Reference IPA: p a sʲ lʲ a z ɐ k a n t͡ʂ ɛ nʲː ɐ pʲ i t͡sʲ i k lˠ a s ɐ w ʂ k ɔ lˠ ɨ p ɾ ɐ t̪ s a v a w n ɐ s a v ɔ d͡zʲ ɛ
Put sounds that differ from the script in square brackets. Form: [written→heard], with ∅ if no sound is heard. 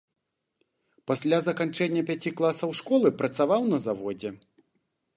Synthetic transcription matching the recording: p a sʲ lʲ a z ɐ k a n t͡ʂ ɛ nʲː ɐ pʲ [i→a] t͡sʲ i k lˠ a s ɐ w ʂ k ɔ lˠ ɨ p ɾ ɐ t̪ s a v a w n ɐ [s→z] a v ɔ d͡zʲ ɛ

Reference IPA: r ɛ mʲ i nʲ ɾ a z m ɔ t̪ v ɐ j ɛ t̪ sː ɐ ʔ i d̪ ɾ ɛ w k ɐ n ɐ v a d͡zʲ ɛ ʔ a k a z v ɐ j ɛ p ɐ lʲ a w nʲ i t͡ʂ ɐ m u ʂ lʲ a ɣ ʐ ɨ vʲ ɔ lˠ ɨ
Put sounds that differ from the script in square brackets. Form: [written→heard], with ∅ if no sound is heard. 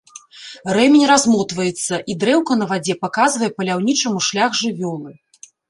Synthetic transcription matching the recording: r ɛ mʲ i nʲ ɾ a z m ɔ t̪ v ɐ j ɛ t̪ sː ɐ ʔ i d̪ ɾ ɛ w k ɐ n ɐ v a d͡zʲ ɛ [ʔ→p] a k a z v ɐ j ɛ p ɐ lʲ a w nʲ i t͡ʂ ɐ m u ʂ lʲ a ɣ ʐ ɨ vʲ ɔ lˠ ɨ

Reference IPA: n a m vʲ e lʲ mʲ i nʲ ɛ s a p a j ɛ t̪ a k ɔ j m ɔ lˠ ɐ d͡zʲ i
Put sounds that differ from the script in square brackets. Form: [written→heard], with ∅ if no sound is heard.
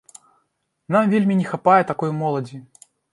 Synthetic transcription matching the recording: n a m vʲ e lʲ mʲ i nʲ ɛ [s→x] a p a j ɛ t̪ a k ɔ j m ɔ lˠ ɐ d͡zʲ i

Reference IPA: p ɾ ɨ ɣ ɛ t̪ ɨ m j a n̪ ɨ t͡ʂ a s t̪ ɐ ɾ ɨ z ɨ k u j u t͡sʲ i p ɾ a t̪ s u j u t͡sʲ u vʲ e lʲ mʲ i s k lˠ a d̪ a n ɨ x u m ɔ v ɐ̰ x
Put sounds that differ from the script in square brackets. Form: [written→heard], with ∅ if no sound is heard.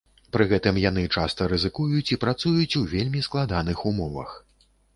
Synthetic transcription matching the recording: p ɾ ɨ ɣ ɛ t̪ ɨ m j a n̪ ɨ t͡ʂ a s t̪ ɐ ɾ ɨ z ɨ k u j u t͡sʲ i p ɾ a t̪ s u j u t͡sʲ u vʲ e lʲ mʲ i s k lˠ a d̪ a n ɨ x u m ɔ v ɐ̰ x

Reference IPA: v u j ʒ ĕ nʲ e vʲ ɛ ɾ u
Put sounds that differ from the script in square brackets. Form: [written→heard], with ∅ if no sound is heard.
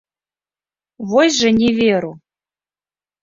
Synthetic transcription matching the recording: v [u→o] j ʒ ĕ nʲ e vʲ [ɛ→e] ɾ u

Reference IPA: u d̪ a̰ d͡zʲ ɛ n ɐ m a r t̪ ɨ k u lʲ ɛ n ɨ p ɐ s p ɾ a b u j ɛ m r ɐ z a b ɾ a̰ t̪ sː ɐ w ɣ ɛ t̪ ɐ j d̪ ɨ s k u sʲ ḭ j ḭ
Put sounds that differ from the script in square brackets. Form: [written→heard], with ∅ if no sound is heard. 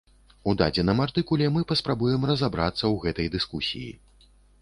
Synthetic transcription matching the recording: u d̪ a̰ d͡zʲ ɛ n ɐ m a r t̪ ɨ k u lʲ ɛ [n→m] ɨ p ɐ s p ɾ a b u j ɛ m r ɐ z a b ɾ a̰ t̪ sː ɐ w ɣ ɛ t̪ ɐ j d̪ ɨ s k u sʲ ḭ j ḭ

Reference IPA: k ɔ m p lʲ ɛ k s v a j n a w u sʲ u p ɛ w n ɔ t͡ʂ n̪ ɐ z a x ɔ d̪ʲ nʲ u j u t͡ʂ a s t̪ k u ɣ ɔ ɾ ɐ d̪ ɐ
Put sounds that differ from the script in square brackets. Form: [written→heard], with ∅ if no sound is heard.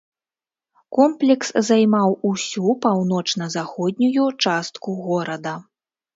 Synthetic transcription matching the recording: k ɔ m p lʲ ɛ k s [v→z] a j [n→m] a w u sʲ u p [ɛ→a] w n ɔ t͡ʂ n̪ ɐ z a x ɔ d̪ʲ nʲ u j u t͡ʂ a s t̪ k u ɣ ɔ ɾ ɐ d̪ ɐ

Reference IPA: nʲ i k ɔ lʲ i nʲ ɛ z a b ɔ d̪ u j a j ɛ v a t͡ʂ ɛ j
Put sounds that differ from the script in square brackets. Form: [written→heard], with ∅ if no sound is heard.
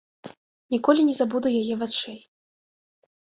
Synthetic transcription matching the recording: nʲ i k ɔ lʲ i nʲ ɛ z a b [ɔ→u] d̪ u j a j ɛ v a t͡ʂ ɛ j

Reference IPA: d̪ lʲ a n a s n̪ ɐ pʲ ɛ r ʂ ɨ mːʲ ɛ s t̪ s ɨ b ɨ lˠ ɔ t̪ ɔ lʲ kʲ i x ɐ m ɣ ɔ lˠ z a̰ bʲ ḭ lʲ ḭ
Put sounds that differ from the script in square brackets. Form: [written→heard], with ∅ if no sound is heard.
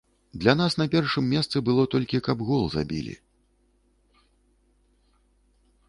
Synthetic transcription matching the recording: d̪ lʲ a n a s n̪ ɐ pʲ ɛ r ʂ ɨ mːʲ ɛ s t̪ s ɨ b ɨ lˠ ɔ t̪ ɔ lʲ kʲ i [x→k] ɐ [m→b] ɣ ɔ lˠ z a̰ bʲ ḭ lʲ ḭ

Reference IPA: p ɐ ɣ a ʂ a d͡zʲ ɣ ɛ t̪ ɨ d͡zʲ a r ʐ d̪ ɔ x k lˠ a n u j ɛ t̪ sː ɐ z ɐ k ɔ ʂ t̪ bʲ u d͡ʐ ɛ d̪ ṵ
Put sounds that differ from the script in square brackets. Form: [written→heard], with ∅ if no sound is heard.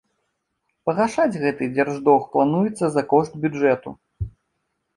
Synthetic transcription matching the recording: p ɐ ɣ a ʂ a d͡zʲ ɣ ɛ t̪ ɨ d͡zʲ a r ʐ d̪ ɔ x [k→p] lˠ a n u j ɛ t̪ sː ɐ z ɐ k ɔ ʂ t̪ bʲ u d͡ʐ ɛ [d̪→t̪] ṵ

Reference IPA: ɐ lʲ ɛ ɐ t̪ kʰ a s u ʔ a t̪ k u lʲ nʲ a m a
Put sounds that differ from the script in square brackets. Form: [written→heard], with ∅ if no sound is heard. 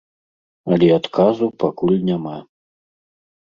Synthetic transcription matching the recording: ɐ lʲ ɛ [ɐ→a] t̪ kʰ a [s→z] u [ʔ→p] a [t̪→∅] k u lʲ nʲ a m a

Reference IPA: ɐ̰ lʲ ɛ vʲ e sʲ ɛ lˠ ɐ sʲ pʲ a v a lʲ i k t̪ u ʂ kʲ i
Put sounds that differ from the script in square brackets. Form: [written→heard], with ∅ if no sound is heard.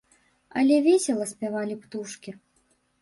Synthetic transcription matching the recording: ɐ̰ lʲ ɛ vʲ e sʲ ɛ lˠ ɐ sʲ pʲ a v a lʲ i [k→p] t̪ u ʂ kʲ i

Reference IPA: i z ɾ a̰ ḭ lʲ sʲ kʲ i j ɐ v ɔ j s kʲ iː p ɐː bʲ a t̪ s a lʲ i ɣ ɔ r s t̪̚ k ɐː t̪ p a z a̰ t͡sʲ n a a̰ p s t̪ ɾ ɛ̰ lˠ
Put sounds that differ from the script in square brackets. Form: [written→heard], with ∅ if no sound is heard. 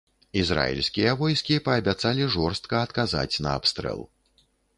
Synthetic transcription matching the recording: i z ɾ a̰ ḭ lʲ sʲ kʲ i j ɐ v ɔ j s kʲ [iː→i] p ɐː bʲ a t̪ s a lʲ i [ɣ→ʐ] ɔ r s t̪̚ k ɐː t̪ [p→k] a z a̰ t͡sʲ n [a→ɐ] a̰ p s t̪ ɾ ɛ̰ lˠ

